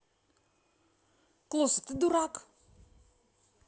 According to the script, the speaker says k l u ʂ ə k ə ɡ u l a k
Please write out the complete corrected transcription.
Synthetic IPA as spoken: k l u s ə t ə d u ɾ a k